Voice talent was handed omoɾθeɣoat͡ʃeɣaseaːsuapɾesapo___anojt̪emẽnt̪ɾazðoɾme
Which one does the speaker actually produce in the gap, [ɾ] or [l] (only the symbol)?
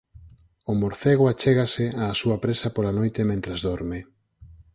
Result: l